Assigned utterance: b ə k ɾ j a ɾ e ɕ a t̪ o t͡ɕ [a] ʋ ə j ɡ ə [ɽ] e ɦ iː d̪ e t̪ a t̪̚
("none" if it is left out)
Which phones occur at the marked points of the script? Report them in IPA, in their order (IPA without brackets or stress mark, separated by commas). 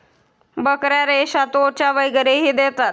a, ɾ